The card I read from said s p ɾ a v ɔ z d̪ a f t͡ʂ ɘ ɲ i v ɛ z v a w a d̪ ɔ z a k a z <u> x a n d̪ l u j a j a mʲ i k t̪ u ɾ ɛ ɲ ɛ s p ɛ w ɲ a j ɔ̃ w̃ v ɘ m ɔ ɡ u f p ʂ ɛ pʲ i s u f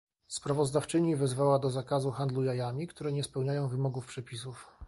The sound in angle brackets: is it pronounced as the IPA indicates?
yes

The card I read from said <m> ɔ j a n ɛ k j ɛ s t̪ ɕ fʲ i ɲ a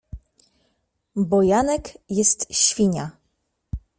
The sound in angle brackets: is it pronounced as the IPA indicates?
no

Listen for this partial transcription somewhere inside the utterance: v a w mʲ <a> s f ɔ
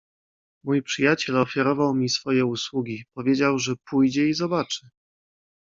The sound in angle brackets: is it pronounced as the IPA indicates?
no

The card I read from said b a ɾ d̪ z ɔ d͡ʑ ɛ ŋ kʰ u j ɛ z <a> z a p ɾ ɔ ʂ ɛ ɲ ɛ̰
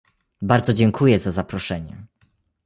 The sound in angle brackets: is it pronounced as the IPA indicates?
yes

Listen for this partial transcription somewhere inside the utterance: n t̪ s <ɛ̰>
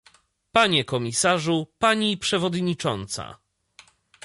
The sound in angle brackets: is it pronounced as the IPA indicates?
no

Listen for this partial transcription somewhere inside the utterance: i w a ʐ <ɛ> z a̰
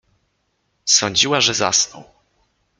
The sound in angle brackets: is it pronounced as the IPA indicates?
yes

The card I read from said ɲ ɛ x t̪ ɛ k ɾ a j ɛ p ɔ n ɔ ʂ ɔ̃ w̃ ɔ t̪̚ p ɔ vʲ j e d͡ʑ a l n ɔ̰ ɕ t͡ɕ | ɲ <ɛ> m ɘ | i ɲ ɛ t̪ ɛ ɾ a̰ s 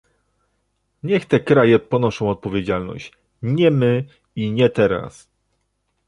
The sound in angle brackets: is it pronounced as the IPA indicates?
yes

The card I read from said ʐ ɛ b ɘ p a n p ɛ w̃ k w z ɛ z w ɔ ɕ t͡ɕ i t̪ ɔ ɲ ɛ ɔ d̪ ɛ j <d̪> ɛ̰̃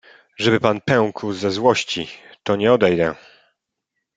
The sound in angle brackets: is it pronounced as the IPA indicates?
yes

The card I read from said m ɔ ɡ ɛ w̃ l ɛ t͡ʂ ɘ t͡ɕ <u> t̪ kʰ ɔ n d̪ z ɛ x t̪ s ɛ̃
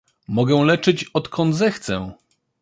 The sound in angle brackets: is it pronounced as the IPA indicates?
no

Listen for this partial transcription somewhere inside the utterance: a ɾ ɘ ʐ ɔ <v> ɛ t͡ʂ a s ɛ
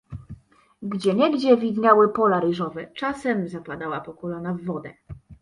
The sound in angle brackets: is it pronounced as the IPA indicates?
yes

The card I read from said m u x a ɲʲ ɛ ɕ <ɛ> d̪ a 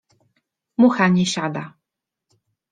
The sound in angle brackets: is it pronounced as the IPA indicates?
no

